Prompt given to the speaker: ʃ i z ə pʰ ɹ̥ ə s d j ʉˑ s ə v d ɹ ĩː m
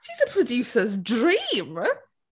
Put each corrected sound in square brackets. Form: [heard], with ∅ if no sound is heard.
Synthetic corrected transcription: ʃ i z ə pʰ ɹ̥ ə [∅] d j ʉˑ s ə [z] d ɹ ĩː m